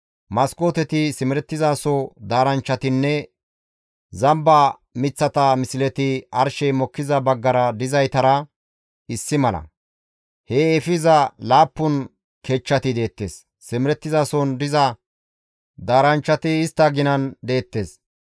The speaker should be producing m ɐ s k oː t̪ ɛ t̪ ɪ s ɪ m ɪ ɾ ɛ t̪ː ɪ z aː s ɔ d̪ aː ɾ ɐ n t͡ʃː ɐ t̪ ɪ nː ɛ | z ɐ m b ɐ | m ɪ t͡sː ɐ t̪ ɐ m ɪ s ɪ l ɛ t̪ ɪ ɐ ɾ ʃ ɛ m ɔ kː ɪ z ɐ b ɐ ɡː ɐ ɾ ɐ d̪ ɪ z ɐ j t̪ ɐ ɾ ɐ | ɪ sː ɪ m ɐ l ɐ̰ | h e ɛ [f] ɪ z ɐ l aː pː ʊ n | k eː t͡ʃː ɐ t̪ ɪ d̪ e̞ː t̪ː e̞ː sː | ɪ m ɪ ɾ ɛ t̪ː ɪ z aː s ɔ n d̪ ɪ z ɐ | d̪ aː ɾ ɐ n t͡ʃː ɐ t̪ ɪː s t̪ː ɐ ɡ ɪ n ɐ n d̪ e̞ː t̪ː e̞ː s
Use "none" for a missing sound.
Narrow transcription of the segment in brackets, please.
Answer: f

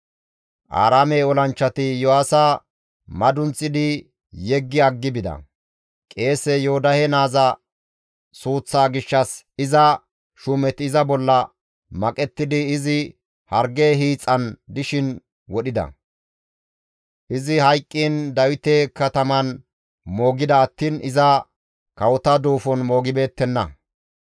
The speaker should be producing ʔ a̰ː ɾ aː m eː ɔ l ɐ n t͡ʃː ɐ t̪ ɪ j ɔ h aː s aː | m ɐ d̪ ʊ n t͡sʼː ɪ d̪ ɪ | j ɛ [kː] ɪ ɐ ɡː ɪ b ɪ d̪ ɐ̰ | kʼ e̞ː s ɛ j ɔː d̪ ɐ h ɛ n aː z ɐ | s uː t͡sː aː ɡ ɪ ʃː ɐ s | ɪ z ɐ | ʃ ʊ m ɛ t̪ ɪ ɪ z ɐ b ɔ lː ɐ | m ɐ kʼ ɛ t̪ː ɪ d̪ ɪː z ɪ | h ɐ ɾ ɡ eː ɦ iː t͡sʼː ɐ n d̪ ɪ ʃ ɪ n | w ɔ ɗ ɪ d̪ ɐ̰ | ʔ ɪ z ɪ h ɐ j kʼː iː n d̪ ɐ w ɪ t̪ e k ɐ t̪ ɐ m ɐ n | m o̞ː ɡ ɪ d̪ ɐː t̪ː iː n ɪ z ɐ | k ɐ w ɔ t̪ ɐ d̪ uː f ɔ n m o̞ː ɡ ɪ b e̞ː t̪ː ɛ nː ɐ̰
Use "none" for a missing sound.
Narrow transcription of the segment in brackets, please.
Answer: ɡː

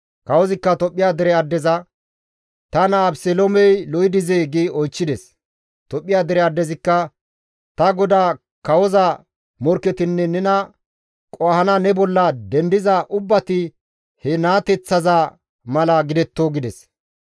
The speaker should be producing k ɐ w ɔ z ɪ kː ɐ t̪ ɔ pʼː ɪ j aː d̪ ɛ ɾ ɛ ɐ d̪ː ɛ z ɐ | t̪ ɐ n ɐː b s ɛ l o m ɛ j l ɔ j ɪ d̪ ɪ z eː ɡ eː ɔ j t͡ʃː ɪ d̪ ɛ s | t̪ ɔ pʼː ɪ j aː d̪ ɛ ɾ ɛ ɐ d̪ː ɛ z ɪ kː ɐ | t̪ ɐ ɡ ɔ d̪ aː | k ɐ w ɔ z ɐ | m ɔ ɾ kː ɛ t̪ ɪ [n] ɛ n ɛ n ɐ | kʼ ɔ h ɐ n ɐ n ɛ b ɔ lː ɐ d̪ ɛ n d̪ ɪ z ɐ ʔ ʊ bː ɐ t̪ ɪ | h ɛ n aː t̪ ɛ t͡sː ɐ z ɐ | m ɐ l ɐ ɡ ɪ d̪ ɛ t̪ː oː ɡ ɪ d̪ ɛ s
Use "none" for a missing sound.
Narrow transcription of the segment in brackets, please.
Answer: nː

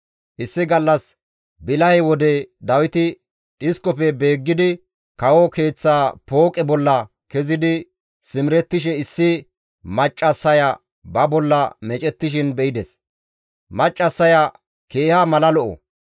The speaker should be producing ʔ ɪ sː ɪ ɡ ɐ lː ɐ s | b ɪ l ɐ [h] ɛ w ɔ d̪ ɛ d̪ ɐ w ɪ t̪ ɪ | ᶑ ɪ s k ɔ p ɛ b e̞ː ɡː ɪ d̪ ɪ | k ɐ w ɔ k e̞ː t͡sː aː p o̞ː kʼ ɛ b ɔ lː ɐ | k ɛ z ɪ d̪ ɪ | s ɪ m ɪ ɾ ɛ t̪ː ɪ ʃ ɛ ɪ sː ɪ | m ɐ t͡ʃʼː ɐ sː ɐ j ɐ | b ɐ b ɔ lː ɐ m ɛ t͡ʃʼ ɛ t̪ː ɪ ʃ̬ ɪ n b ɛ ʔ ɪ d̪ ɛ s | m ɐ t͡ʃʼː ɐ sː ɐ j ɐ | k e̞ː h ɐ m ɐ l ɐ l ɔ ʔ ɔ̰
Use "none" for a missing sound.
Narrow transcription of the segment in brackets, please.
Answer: h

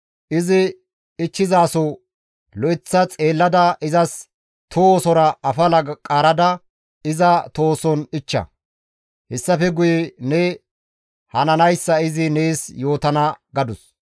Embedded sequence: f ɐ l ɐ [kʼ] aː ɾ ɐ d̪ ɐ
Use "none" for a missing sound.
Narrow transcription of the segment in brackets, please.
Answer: kʼ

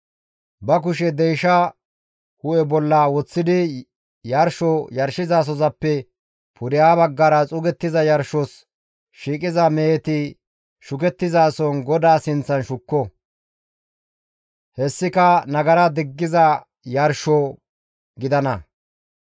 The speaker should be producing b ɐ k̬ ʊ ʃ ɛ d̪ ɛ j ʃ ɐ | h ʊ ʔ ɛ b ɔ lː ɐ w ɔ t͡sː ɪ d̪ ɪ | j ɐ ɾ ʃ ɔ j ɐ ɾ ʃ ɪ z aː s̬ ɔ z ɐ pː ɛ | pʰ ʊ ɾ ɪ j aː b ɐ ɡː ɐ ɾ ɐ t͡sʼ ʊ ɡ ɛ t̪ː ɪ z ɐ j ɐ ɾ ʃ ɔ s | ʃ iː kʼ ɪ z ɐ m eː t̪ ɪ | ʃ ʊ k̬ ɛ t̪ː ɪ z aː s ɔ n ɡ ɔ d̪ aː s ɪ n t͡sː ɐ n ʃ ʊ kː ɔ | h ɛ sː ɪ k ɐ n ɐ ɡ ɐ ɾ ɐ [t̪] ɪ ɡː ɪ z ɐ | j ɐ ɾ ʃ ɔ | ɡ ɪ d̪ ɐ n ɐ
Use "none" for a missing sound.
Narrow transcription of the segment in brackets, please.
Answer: d̪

